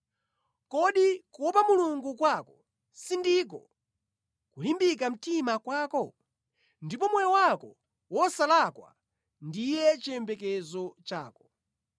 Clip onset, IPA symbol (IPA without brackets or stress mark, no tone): k